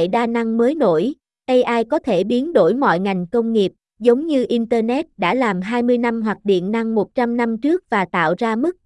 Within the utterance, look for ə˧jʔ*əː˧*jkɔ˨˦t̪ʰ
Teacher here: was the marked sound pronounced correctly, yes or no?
no